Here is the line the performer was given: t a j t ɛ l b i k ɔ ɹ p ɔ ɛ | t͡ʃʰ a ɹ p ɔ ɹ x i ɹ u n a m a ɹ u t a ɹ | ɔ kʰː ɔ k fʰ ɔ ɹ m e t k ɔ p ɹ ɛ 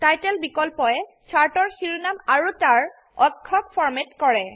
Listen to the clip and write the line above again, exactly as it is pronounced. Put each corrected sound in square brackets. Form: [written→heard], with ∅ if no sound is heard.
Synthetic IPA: t a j t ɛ l b i k ɔ [ɹ→l] p ɔ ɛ | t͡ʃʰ a ɹ [p→t] ɔ ɹ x i ɹ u n a m a ɹ u t a ɹ | ɔ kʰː ɔ k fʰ ɔ ɹ m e t k ɔ [p→∅] ɹ ɛ